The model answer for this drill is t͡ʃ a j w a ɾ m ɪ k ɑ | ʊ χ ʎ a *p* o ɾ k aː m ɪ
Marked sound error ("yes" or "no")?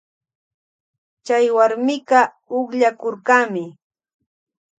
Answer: yes